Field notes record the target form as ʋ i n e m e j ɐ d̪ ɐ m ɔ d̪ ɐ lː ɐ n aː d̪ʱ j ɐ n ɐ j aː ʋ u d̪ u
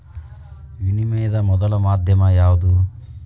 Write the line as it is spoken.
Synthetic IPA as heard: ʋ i n i m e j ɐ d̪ ɐ m ɔ d̪ ɐ l ɐ m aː d̪ʱ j ɐ m ɐ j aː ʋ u d̪ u